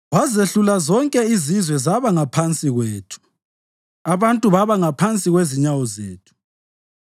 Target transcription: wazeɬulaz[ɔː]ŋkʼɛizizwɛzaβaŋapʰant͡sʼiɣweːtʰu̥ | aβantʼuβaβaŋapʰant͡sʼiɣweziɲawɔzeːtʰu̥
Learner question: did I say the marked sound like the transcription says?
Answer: no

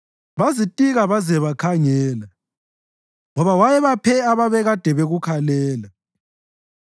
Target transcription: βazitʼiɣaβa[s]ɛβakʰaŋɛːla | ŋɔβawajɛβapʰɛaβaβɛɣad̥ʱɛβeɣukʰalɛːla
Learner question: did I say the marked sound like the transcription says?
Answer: no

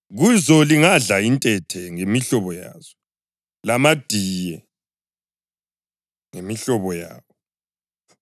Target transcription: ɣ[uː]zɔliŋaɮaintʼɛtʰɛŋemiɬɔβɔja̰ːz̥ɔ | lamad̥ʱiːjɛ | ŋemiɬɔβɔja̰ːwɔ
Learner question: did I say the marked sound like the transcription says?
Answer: no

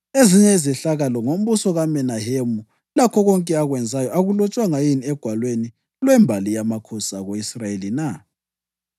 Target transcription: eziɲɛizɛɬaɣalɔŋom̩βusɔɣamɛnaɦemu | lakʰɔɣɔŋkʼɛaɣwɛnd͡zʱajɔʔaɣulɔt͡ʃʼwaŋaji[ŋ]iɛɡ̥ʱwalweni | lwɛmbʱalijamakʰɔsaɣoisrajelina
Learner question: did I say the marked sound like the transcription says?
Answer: no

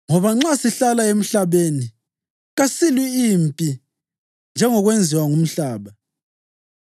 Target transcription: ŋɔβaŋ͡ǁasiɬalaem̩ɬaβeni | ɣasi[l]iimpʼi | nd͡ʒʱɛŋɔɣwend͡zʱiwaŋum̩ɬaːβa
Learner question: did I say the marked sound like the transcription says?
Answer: yes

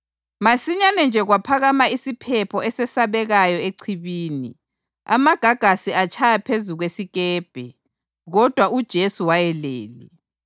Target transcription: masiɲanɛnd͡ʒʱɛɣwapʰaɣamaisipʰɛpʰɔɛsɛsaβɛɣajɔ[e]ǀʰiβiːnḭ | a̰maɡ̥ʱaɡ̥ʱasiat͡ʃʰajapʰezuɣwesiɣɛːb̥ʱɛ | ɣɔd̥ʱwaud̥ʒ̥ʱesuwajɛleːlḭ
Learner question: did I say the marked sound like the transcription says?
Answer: yes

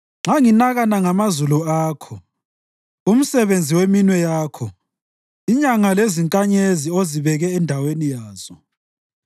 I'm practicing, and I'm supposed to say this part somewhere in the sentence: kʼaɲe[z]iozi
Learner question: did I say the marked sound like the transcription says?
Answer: yes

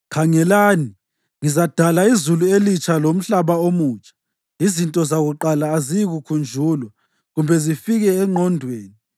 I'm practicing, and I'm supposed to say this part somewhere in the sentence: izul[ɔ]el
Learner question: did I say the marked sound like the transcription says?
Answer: no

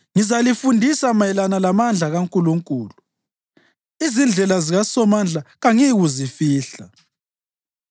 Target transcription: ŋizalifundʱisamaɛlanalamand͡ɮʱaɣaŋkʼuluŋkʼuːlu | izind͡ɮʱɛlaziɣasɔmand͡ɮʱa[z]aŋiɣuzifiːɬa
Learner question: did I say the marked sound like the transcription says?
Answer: no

